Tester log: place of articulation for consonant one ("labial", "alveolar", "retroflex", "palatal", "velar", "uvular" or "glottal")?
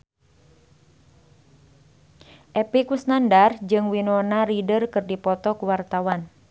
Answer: glottal